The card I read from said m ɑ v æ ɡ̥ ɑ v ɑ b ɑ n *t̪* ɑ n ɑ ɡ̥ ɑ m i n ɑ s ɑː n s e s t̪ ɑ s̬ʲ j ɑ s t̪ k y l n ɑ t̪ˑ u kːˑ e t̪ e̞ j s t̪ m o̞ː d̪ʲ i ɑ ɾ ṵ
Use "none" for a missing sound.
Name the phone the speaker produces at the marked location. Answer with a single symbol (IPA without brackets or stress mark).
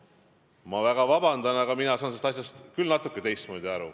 d̪